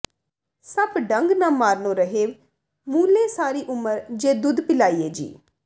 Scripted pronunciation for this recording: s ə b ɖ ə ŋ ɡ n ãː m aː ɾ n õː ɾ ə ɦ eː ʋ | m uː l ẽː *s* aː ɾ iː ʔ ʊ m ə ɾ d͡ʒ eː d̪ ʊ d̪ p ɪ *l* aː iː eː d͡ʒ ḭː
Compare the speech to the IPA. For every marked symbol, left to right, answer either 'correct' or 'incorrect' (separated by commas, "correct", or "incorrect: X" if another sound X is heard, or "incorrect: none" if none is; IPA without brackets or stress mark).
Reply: correct, correct